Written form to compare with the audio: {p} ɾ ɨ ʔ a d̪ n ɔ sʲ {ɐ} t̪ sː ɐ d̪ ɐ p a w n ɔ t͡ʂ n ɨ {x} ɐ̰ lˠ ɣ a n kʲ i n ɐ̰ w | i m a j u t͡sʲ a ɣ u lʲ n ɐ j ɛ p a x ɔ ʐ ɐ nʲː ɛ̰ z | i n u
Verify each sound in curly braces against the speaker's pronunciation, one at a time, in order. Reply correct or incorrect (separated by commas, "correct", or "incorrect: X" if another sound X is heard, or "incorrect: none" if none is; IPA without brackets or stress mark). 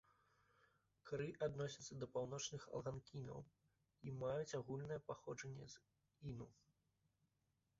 incorrect: k, correct, correct